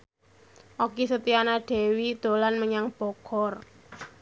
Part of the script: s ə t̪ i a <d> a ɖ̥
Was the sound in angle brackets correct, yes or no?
no